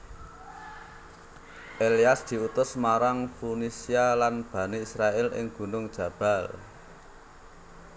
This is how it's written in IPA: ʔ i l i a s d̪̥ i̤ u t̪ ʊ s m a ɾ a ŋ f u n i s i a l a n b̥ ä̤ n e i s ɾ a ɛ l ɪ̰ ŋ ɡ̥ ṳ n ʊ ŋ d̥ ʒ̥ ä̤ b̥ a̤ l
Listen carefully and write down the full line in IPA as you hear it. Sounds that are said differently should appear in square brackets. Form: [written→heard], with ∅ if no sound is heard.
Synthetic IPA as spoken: ʔ [i→e] l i a s d̪̥ i̤ u t̪ ʊ s m a ɾ a ŋ f u n i s i a l a n b̥ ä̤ n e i s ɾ a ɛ l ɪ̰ ŋ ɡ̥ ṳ n ʊ ŋ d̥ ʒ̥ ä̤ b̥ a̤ l